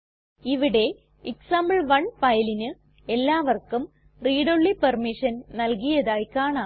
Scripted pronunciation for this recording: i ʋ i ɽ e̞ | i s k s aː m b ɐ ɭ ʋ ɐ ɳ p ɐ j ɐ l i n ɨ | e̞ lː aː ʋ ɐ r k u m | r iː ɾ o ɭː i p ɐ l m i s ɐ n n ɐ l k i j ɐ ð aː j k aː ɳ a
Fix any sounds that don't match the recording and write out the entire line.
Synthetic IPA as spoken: i ʋ i ɽ e̞ | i k s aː m b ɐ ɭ ʋ ɐ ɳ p ɐ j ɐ l i n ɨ | e̞ lː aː ʋ ɐ r k u m | r iː ɽ o ɭː i p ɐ r m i ʂ ɐ n n ɐ l k i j ɐ ð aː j k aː ɳ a

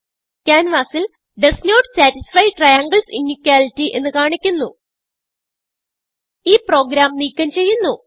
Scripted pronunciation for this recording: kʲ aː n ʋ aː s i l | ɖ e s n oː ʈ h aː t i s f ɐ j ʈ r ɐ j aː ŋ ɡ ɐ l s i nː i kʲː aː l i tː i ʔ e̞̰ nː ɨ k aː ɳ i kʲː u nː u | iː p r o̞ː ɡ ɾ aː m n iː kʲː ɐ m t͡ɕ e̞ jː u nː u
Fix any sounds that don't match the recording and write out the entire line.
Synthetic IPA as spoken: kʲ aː n ʋ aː s i l | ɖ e s n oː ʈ s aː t i s f ɐ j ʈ r ɐ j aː ŋ ɡ ɐ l s i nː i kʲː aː l i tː i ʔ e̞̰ nː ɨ k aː ɳ i kʲː u nː u | iː p r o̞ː ɡ ɾ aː m n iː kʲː ɐ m t͡ɕ e̞ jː u nː u

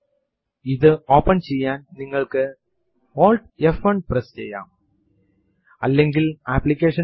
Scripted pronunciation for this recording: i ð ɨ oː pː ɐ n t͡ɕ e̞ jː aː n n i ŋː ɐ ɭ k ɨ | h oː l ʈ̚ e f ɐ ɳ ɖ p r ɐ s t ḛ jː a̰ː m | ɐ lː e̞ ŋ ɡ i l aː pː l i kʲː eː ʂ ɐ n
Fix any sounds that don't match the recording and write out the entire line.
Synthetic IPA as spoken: i ð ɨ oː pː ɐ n t͡ɕ e̞ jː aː n n i ŋː ɐ ɭ k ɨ | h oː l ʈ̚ e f ɐ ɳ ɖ p r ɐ s t͡ɕ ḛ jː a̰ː m | ɐ lː e̞ ŋ ɡ i l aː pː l i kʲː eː ʂ ɐ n

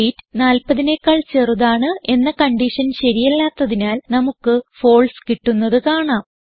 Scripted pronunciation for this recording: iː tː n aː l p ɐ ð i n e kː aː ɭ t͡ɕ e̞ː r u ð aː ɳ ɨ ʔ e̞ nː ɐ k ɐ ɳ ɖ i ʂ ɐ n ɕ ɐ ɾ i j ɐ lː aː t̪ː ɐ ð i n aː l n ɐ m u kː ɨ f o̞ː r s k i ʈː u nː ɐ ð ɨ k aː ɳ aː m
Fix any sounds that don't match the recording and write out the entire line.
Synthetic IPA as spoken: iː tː n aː l p ɐ ð i n e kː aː ɭ t͡ɕ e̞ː r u ð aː ɳ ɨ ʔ e̞ nː ɐ k ɐ ɳ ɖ i ʂ ɐ n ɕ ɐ ɾ i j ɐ lː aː t̪ː ɐ ð i n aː l n ɐ m u kː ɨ f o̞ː ɭ s k i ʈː u nː ɐ ð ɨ k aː ɳ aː m

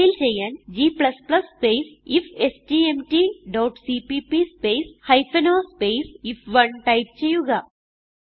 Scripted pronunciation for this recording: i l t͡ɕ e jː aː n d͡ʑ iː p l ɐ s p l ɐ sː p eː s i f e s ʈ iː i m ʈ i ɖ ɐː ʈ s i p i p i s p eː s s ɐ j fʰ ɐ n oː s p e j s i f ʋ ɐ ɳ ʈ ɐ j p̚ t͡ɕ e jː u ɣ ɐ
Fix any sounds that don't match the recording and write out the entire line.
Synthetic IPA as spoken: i l t͡ɕ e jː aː n d͡ʑ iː p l ɐ s p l ɐ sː p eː s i f e s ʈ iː e m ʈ i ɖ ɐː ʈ s i p i p i s p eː s h ɐ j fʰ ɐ n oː s p e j s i f ʋ ɐ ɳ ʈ ɐ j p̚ t͡ɕ e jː u ɣ ɐ

